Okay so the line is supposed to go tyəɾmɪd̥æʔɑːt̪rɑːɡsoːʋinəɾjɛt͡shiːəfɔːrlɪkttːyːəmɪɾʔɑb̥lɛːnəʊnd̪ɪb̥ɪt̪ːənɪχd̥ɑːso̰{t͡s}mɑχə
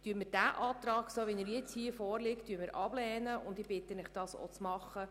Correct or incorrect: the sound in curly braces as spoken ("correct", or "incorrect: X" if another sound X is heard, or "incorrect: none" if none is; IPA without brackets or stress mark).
correct